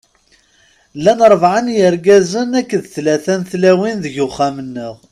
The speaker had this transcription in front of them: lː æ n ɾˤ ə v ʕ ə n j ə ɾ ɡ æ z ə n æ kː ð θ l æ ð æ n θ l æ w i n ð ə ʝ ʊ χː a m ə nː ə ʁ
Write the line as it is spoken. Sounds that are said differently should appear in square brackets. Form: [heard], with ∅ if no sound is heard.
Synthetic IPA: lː æ n ɾˤ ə v ʕ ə n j ə ɾ ɡ æ z ə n æ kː ð θ l æ [θ] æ n θ l æ w i n ð ə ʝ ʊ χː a m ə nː ə ʁ